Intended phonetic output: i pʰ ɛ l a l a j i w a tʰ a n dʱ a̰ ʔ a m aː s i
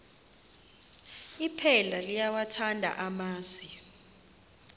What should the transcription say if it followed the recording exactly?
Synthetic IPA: i pʰ ɛ l a l i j a w a tʰ a n dʱ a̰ ʔ a m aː s i